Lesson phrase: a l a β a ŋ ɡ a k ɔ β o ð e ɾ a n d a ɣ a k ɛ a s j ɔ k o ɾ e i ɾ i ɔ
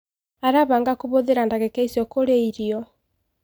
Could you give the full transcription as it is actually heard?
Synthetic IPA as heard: a ɾ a β a ŋ ɡ a k o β o ð e ɾ a n d a ɣ ɛ k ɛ i s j ɔ k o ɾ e i ɾ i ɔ